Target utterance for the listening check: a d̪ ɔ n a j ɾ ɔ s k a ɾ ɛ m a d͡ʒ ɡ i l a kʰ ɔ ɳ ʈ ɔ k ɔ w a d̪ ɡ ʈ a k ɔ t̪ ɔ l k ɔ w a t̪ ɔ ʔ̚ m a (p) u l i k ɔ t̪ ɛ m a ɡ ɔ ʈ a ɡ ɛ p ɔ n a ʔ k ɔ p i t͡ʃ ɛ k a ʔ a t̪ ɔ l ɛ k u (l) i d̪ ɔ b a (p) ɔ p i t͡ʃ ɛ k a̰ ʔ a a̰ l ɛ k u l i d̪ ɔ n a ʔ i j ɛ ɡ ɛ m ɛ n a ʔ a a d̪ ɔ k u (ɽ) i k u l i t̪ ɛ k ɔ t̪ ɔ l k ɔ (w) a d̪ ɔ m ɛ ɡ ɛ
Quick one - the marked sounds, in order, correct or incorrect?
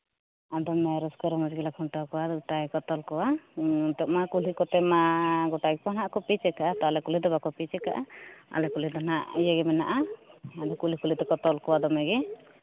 incorrect, correct, incorrect, incorrect, correct

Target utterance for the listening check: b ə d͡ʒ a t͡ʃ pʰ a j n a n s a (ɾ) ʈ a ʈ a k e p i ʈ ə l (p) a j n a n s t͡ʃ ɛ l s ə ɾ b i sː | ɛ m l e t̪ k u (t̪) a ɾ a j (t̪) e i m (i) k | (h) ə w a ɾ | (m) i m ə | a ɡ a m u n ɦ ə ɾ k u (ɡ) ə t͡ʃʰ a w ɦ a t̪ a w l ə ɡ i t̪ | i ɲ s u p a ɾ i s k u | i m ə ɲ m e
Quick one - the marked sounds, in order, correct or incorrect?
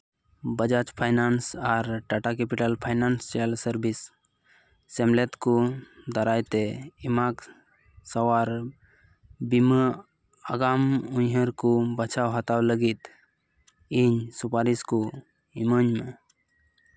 correct, incorrect, incorrect, correct, incorrect, incorrect, incorrect, incorrect

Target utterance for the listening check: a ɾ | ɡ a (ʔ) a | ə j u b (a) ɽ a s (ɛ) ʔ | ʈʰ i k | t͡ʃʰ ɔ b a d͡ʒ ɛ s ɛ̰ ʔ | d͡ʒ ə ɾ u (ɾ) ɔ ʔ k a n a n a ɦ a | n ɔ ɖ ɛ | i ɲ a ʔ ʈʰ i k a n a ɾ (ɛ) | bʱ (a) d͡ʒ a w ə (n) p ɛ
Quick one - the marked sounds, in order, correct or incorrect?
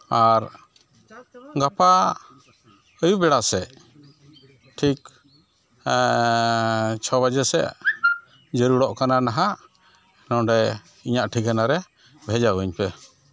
incorrect, incorrect, correct, incorrect, correct, incorrect, incorrect

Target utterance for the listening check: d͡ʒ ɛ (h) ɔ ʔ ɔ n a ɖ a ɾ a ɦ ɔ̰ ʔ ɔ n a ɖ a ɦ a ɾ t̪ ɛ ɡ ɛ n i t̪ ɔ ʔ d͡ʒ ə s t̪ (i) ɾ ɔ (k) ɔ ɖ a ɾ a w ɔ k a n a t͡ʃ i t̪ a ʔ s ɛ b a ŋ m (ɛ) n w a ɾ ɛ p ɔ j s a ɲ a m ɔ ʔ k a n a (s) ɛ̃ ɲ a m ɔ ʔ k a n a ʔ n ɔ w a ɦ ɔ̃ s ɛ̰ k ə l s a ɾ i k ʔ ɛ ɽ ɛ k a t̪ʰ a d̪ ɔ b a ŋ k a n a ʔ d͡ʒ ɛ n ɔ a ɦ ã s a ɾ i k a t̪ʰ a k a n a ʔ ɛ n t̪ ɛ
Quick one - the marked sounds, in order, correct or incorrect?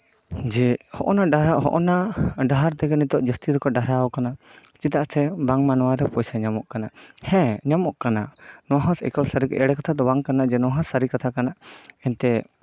correct, correct, correct, incorrect, incorrect

